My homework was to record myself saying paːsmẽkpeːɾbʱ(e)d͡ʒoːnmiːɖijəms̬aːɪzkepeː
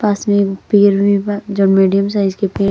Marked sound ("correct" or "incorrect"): incorrect